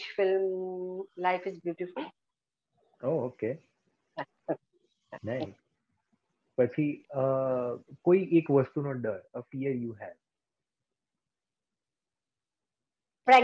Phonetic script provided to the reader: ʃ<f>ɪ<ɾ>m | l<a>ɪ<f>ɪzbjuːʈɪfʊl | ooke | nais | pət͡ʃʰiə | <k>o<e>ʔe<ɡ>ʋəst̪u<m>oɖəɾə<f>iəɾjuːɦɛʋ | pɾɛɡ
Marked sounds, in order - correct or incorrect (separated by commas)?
correct, incorrect, correct, correct, correct, incorrect, incorrect, incorrect, correct